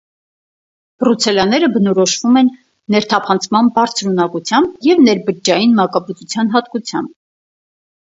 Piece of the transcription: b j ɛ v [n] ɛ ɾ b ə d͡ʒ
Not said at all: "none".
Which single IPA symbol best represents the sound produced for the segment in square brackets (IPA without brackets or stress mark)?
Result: n